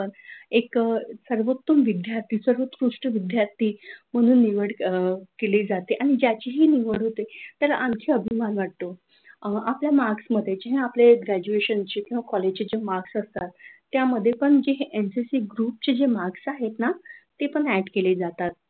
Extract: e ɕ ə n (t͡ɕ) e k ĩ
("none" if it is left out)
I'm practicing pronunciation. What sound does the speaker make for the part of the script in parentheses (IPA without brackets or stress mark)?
t͡ɕ